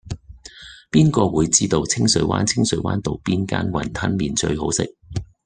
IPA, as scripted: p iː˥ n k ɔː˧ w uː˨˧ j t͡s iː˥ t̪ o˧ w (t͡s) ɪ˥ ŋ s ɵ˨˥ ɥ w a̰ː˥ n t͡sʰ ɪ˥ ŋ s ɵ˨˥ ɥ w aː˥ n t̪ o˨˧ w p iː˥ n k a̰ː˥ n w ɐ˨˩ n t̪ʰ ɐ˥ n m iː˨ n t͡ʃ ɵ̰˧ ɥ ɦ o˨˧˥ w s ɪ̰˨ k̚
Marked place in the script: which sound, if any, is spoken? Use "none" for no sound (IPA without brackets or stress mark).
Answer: t͡sʰ